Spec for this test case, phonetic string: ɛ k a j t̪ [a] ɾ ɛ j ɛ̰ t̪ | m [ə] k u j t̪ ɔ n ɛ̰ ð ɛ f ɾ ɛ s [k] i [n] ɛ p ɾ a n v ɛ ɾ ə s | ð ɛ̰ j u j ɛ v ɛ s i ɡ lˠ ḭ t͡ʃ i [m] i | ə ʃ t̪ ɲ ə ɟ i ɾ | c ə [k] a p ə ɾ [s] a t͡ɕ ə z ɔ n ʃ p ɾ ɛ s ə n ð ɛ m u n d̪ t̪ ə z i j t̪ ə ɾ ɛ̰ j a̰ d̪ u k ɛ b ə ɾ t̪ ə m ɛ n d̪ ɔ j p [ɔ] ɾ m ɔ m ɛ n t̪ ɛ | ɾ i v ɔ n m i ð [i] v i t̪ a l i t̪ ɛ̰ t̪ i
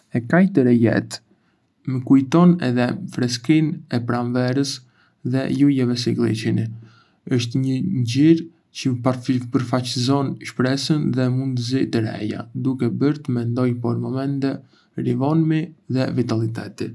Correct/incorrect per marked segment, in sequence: incorrect, correct, correct, correct, incorrect, incorrect, incorrect, correct, incorrect

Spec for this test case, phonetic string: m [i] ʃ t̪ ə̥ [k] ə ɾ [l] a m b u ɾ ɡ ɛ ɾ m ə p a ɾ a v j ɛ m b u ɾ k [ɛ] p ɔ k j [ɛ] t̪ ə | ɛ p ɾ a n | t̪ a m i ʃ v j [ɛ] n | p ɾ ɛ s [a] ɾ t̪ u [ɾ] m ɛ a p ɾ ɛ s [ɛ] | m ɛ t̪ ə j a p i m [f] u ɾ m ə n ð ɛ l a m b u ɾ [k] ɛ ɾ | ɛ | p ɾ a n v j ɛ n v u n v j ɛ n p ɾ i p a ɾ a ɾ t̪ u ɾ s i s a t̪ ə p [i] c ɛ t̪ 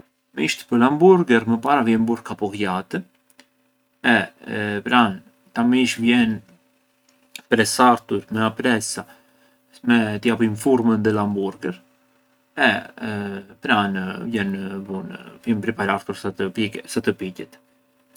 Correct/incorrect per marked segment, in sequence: correct, incorrect, correct, incorrect, incorrect, correct, correct, correct, incorrect, correct, incorrect, correct

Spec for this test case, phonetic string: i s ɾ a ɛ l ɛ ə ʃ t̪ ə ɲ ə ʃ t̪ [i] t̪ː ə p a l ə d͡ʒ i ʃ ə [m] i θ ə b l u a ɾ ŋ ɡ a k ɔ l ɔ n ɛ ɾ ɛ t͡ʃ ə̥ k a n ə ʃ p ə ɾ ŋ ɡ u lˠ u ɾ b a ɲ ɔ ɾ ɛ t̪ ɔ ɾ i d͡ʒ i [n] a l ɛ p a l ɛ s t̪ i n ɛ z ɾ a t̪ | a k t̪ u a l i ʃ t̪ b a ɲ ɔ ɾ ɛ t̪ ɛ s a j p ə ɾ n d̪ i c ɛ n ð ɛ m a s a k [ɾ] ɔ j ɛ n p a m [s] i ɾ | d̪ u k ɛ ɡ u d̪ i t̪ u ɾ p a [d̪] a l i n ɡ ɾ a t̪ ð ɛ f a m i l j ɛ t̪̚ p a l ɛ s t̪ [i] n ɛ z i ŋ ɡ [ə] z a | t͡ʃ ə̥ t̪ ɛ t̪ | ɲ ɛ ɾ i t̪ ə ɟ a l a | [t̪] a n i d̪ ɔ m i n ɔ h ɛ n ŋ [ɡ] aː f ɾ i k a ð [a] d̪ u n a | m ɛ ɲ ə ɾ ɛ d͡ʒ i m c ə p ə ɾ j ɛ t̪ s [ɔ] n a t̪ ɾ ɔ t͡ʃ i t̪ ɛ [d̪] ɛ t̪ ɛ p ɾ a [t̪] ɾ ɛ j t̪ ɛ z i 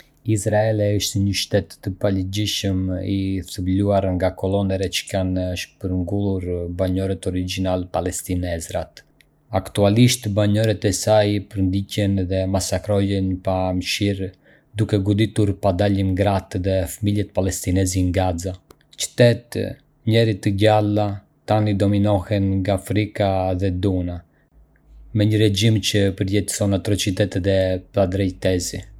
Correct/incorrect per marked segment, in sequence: incorrect, correct, correct, correct, incorrect, correct, correct, incorrect, correct, correct, incorrect, correct, incorrect, incorrect

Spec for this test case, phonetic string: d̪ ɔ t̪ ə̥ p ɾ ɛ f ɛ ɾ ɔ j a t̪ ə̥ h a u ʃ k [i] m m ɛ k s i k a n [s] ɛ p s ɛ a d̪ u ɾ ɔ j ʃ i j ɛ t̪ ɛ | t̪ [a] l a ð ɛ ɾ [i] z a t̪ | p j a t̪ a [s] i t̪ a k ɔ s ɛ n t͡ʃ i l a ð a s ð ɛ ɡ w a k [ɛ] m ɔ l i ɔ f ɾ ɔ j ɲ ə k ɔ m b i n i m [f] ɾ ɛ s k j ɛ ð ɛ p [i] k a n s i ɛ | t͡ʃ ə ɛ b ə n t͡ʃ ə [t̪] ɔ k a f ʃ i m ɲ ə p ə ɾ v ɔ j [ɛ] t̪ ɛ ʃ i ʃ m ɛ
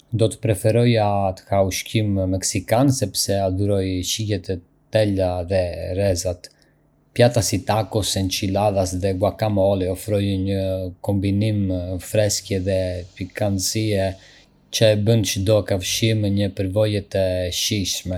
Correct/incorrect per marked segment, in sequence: correct, correct, incorrect, incorrect, correct, incorrect, correct, correct, incorrect, correct

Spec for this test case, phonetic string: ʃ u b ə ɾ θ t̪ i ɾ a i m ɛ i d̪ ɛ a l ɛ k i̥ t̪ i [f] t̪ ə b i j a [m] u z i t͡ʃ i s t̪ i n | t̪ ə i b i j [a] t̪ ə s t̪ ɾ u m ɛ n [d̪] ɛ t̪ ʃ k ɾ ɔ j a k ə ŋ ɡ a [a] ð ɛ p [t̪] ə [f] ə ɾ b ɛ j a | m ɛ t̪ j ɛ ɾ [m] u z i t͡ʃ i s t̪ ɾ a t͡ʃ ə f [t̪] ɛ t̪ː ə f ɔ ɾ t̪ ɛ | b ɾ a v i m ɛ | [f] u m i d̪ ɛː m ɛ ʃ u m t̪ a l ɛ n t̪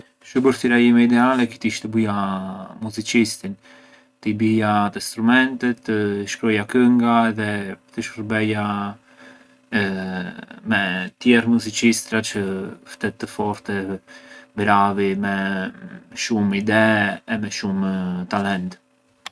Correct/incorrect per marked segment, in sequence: incorrect, correct, correct, incorrect, incorrect, correct, incorrect, correct, correct, incorrect

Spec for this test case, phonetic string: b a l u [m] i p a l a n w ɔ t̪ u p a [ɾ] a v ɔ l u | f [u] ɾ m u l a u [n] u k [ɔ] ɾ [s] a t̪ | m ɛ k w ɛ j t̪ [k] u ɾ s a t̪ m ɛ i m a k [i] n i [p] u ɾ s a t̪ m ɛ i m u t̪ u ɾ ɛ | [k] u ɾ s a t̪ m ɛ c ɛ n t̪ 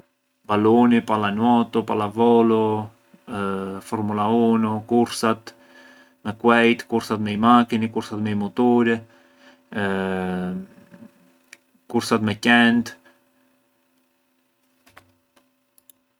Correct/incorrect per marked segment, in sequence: incorrect, incorrect, incorrect, correct, incorrect, correct, correct, correct, incorrect, correct

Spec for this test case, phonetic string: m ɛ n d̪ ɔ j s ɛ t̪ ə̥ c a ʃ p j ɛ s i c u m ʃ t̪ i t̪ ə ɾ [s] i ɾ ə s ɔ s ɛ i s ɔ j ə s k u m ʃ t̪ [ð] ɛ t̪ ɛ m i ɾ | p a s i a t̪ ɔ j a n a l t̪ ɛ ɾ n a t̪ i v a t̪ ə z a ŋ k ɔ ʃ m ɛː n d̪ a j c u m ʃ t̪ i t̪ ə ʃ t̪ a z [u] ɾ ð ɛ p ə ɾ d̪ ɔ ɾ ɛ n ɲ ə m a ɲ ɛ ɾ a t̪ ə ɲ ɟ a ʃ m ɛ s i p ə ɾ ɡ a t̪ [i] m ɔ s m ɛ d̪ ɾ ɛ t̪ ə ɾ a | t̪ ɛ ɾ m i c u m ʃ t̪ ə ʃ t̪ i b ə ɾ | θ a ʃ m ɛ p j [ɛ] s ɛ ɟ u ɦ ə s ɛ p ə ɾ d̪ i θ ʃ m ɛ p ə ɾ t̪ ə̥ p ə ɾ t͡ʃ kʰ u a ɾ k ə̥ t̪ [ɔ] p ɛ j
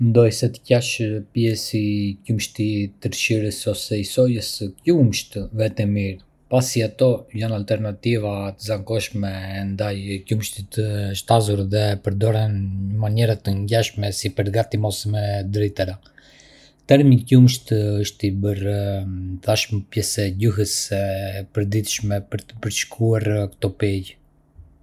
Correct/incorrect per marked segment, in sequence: incorrect, incorrect, correct, correct, correct, correct

